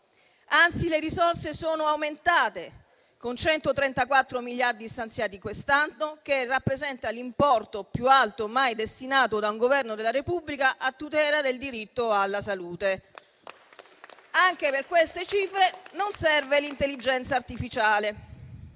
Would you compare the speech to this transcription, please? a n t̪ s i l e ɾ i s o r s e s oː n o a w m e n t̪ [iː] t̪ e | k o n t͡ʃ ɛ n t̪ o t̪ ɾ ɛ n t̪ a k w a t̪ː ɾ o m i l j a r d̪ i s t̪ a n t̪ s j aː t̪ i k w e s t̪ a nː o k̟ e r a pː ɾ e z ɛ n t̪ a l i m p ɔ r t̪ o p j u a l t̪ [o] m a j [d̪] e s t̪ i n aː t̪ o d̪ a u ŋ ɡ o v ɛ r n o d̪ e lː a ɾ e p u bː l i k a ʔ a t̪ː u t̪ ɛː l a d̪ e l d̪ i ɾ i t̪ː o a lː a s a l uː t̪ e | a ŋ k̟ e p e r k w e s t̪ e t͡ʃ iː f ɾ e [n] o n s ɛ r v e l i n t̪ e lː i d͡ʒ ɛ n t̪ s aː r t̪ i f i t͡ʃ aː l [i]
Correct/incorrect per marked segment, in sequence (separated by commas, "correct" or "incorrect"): incorrect, correct, correct, correct, incorrect